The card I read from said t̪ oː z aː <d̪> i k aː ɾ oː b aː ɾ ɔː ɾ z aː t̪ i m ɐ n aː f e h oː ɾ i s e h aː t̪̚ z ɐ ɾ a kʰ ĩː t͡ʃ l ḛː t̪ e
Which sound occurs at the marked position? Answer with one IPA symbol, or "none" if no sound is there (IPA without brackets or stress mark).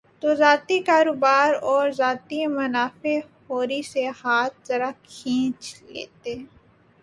t̪